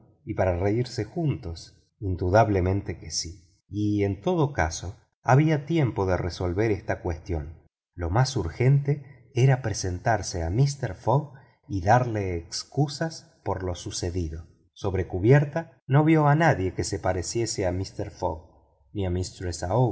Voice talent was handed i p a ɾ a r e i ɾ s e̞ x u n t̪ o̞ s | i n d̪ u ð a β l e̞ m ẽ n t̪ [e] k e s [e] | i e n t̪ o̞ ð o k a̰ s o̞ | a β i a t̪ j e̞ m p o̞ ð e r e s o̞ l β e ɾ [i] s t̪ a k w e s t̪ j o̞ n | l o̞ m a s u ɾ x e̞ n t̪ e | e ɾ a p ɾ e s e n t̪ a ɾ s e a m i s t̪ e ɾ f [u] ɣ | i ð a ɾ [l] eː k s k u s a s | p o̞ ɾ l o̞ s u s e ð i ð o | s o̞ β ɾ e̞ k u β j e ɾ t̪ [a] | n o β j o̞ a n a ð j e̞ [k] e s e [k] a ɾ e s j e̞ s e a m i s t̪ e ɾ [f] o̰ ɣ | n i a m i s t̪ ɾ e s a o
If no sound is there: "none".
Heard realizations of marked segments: e, i, e, o, l, a, k, p, f

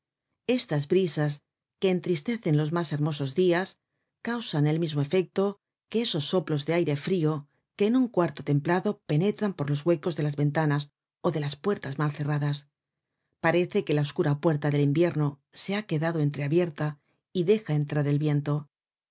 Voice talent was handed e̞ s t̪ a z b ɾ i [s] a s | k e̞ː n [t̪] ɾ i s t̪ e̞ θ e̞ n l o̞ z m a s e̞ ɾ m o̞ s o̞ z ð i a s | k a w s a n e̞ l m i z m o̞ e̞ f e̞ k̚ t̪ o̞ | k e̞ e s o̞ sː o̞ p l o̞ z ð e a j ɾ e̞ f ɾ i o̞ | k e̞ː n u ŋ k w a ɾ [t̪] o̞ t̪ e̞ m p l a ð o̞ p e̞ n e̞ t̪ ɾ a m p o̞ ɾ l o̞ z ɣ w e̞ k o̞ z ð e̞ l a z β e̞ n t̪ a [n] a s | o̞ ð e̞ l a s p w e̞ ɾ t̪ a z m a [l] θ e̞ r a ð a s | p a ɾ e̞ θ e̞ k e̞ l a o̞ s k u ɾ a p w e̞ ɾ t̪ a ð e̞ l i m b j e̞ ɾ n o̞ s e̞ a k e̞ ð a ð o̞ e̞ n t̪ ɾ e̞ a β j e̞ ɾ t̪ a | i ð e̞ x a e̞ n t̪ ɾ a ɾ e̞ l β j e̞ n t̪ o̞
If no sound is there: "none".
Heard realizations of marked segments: s, t̪, t̪, n, l

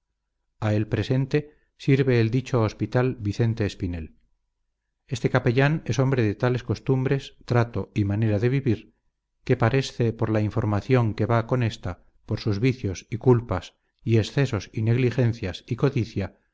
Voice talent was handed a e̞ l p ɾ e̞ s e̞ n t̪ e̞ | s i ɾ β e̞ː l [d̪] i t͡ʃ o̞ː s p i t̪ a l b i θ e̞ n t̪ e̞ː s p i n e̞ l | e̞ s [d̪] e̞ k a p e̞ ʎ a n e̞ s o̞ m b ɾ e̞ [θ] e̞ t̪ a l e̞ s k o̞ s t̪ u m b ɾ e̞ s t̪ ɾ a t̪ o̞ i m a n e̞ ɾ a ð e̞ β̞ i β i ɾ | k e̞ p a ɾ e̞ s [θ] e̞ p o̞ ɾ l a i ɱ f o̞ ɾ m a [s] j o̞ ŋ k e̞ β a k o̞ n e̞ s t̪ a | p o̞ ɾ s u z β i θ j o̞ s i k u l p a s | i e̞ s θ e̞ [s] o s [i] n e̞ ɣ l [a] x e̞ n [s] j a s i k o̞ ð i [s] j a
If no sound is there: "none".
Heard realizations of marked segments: d̪, t̪, ð, θ, θ, s, i, i, θ, θ

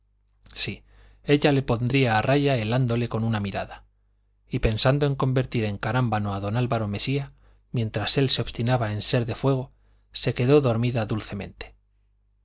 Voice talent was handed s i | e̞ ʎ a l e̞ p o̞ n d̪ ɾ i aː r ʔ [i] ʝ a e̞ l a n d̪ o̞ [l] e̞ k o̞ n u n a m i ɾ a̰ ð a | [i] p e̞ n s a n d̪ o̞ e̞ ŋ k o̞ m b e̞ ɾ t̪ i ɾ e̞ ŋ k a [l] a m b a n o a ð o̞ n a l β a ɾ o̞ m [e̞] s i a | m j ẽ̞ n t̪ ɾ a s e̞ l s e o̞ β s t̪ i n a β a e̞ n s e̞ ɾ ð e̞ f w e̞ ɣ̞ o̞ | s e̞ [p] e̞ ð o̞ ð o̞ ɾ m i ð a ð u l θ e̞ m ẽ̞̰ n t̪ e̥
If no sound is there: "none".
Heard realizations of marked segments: a, l, i, ɾ, e̞, k

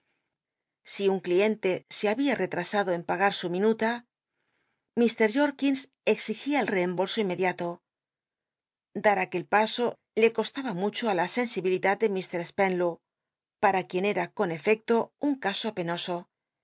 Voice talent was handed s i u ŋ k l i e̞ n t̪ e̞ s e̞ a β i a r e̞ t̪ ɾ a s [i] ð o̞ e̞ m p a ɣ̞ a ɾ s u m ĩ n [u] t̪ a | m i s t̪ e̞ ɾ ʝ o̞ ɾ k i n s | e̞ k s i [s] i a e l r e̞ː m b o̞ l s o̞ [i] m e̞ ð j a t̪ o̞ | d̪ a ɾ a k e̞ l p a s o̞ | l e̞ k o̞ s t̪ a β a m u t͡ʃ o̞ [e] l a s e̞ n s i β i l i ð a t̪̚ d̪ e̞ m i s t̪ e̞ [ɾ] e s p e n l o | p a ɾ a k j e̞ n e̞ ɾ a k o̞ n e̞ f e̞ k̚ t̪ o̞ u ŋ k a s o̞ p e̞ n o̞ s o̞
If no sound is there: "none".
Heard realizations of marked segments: a, u, x, i, a, ɾ

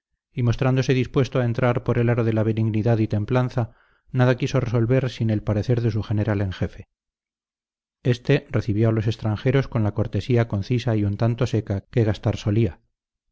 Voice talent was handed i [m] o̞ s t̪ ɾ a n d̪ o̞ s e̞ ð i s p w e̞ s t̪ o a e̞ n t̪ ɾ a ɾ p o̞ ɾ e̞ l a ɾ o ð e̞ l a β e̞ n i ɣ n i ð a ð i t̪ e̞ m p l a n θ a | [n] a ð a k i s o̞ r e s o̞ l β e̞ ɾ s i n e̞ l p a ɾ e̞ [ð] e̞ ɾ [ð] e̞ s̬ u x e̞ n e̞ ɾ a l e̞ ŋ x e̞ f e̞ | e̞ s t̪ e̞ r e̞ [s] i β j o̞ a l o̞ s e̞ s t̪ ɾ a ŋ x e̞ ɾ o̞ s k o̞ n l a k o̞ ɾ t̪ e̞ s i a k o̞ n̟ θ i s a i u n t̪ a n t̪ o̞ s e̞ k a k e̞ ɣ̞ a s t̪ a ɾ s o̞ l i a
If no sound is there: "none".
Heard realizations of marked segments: m, n, θ, ð, θ

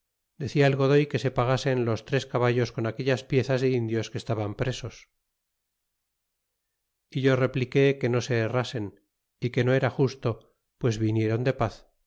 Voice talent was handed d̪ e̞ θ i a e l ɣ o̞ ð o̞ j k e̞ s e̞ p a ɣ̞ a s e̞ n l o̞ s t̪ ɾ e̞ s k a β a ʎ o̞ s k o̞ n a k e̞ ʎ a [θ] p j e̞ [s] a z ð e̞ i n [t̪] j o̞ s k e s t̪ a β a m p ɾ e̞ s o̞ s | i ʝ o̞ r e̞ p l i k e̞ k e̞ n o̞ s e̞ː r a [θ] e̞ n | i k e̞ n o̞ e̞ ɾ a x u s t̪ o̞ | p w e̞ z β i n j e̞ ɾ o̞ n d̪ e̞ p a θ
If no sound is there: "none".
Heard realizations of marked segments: s, θ, d̪, s

